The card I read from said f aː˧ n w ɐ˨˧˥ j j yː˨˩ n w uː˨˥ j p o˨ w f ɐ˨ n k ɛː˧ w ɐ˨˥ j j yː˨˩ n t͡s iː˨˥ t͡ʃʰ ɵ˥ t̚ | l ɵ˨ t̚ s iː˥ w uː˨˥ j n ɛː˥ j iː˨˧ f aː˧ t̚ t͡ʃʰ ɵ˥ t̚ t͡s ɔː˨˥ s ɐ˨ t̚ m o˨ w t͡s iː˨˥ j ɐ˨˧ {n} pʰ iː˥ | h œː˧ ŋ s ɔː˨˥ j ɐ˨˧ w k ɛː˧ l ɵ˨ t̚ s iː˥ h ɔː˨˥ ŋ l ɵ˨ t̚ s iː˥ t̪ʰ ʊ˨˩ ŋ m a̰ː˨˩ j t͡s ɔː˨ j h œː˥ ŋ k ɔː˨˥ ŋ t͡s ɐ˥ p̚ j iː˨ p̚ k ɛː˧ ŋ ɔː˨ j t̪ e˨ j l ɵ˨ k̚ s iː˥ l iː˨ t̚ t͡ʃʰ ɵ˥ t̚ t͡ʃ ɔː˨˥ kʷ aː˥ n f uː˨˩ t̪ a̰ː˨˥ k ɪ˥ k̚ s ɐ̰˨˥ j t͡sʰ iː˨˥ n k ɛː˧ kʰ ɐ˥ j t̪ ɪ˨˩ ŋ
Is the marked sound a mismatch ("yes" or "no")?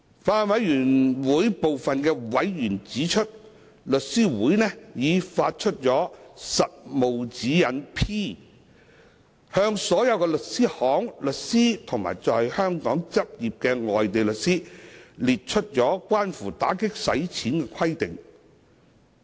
no